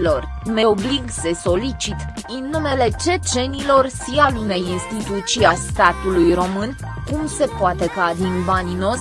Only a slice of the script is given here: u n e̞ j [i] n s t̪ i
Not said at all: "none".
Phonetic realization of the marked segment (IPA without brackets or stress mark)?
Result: i